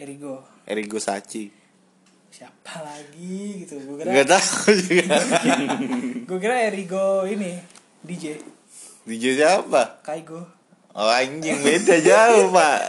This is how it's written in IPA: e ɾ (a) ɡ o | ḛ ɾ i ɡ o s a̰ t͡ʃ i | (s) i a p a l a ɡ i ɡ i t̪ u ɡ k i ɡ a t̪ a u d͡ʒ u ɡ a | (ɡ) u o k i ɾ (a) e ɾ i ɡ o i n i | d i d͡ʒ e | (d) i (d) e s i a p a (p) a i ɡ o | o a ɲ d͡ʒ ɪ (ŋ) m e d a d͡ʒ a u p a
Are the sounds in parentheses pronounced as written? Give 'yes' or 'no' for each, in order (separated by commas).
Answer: no, yes, yes, yes, yes, no, no, yes